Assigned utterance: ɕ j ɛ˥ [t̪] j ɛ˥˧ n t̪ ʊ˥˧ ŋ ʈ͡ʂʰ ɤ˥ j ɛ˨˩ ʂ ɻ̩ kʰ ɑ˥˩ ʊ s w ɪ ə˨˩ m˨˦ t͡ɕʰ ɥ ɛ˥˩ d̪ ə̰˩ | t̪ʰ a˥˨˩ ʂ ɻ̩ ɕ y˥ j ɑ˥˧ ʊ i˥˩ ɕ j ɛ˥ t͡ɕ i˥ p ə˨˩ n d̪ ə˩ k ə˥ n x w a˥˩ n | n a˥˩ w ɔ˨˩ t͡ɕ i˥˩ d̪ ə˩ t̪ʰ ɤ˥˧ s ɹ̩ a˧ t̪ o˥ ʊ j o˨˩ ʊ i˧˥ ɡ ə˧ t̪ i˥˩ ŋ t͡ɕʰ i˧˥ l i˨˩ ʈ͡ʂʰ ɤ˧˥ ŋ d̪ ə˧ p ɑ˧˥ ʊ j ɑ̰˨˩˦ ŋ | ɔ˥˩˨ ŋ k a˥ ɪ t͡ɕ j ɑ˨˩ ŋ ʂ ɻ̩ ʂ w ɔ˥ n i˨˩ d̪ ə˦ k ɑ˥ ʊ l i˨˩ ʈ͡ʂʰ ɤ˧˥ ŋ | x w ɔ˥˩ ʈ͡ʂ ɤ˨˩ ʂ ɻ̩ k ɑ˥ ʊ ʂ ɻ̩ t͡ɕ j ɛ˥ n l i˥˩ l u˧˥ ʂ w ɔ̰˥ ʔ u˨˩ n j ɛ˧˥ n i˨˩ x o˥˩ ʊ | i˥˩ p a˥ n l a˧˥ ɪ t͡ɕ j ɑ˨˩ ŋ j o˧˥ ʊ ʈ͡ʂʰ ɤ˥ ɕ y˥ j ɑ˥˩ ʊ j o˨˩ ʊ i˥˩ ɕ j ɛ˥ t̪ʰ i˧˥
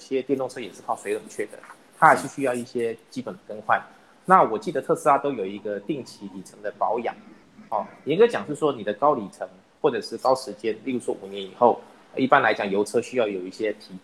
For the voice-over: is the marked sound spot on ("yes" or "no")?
yes